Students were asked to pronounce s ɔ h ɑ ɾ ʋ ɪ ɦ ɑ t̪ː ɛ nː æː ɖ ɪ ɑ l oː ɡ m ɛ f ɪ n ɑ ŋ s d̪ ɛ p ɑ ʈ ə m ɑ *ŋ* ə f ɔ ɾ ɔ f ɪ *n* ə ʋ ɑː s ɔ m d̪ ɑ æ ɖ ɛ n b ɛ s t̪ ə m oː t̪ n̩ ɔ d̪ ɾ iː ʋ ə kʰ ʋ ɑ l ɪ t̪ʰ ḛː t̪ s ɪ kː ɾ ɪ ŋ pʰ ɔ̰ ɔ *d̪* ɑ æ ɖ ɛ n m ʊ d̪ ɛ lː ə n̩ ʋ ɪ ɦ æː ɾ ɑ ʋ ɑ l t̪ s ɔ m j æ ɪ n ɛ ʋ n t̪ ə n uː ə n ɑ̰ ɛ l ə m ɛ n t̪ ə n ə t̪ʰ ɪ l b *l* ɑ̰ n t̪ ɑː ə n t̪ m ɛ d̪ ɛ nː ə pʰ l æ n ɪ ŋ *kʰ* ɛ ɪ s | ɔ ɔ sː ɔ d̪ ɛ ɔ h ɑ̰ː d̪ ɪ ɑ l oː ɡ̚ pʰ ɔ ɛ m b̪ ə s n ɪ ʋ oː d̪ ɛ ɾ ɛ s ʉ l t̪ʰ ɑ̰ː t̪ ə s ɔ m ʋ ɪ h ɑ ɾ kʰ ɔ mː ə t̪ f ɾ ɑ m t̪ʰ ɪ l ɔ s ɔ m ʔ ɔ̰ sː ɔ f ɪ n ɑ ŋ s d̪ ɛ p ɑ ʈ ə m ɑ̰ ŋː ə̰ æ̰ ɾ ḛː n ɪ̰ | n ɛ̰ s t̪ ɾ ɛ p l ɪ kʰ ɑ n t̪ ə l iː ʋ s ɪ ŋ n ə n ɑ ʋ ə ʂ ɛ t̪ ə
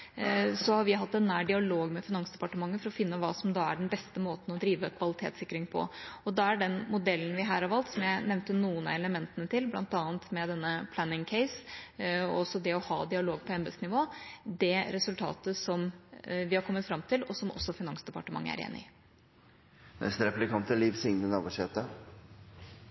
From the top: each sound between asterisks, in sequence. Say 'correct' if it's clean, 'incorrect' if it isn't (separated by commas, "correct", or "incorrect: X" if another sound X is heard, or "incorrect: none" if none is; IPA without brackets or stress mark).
incorrect: ŋː, incorrect: nː, correct, correct, correct